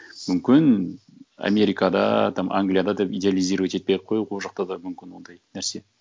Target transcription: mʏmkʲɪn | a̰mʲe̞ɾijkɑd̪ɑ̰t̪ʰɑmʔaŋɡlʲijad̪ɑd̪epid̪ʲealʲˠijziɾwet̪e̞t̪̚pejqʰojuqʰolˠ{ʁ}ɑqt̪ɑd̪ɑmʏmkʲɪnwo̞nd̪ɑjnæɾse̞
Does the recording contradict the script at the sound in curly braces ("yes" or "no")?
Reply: yes